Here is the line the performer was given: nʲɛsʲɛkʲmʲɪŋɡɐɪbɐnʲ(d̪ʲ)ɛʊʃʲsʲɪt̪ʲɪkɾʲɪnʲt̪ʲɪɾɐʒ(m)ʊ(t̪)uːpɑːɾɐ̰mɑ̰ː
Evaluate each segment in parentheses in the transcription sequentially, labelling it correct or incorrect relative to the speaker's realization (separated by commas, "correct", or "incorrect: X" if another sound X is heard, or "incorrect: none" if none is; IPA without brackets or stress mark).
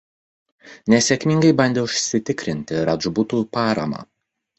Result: correct, incorrect: b, correct